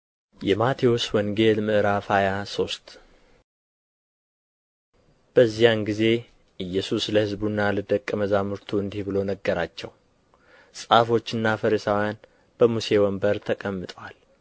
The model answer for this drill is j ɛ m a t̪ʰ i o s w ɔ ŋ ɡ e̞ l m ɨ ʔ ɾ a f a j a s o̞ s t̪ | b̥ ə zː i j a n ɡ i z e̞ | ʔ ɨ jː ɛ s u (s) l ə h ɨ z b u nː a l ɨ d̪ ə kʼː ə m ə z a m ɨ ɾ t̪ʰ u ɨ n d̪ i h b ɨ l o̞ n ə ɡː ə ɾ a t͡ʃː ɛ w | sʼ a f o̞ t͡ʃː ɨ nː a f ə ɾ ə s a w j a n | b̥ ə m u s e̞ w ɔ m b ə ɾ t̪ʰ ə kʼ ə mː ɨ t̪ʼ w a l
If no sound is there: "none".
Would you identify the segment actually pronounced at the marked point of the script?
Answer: s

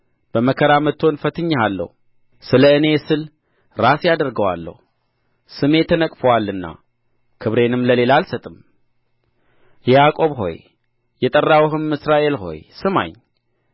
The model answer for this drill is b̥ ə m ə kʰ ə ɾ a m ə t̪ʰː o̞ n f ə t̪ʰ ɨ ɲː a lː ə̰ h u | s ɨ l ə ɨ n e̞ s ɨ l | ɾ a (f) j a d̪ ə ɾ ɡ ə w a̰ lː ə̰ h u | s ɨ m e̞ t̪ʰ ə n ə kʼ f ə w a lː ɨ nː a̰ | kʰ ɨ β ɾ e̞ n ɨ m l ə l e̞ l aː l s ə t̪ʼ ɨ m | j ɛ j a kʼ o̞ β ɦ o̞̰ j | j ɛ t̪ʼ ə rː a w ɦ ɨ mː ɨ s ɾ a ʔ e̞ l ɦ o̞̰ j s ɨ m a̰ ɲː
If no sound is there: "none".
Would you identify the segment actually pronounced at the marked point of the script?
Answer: s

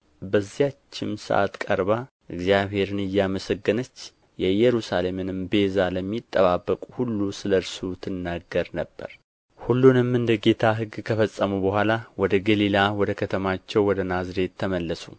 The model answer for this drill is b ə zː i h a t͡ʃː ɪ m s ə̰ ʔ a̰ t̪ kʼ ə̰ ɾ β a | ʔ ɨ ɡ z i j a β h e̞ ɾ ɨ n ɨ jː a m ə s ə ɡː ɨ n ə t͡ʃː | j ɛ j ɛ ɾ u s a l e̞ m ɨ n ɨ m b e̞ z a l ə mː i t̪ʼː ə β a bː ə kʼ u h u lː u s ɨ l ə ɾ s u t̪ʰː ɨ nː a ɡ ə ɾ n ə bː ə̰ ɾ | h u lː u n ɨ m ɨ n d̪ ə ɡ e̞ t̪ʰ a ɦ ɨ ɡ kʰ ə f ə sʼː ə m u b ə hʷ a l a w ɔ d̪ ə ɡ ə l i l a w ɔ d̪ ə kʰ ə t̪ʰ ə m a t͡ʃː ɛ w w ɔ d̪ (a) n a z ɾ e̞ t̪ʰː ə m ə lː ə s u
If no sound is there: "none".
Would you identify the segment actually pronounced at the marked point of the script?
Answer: ə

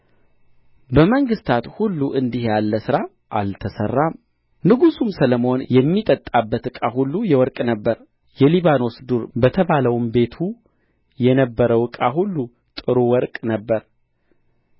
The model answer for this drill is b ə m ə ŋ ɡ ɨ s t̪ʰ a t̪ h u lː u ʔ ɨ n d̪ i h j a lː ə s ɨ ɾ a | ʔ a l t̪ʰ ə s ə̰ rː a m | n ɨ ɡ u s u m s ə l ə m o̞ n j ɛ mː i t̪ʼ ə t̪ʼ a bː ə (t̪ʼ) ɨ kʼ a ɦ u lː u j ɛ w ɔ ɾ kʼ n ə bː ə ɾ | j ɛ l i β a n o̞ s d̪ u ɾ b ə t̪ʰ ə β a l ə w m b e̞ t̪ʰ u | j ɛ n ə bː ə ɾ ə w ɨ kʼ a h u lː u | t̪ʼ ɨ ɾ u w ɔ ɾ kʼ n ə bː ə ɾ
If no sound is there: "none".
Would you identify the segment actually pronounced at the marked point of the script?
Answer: t̪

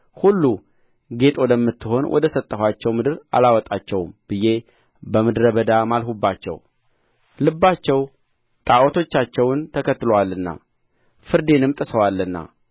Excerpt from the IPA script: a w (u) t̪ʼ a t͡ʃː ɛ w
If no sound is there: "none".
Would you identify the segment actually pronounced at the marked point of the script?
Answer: ɔ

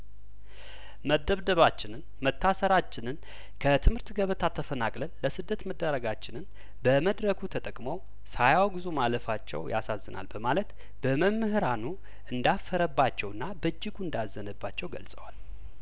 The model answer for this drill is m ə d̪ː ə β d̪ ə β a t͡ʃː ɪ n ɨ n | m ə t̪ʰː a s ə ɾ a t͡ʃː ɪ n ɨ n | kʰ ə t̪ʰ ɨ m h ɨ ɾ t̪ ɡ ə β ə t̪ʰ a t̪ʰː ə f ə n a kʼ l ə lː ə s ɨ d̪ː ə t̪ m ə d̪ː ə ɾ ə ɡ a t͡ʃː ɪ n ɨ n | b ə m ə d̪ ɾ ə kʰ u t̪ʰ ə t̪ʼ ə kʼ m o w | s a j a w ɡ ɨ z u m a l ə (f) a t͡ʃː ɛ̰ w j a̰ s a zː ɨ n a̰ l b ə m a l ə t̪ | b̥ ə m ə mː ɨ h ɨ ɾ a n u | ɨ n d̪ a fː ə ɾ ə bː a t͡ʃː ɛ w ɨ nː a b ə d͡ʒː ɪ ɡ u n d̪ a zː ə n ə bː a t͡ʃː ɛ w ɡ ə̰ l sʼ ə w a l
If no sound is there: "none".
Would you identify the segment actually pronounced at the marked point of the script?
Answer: f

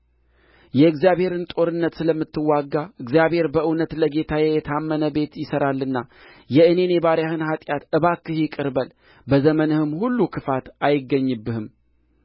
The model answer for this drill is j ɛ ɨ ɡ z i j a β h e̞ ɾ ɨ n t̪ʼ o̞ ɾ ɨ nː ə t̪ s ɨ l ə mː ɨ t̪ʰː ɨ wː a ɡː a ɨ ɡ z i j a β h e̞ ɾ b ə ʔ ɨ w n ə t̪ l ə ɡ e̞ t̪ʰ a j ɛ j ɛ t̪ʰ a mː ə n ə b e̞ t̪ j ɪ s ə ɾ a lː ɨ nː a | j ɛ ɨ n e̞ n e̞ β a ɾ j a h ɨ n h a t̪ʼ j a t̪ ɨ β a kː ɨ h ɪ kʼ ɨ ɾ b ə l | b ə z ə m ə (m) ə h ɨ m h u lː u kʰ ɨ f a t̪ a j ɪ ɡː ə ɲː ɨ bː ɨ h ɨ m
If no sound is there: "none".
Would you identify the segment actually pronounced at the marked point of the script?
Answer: n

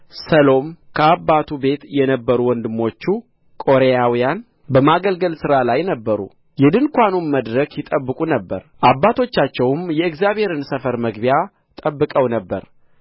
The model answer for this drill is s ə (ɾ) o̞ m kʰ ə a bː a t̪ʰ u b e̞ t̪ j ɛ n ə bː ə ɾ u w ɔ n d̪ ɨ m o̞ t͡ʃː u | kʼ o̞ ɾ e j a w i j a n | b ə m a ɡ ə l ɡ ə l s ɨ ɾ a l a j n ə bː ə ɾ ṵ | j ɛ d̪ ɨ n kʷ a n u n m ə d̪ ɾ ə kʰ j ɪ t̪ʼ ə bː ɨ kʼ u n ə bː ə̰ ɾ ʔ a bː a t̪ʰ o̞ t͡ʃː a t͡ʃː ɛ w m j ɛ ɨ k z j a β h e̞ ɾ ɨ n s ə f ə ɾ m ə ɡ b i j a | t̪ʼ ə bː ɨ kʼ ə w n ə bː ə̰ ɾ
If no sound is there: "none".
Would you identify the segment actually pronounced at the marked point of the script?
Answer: l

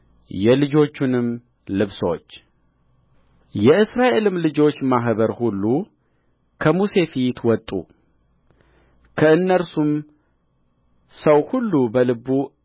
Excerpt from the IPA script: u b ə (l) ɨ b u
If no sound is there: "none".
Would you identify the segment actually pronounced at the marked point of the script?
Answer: l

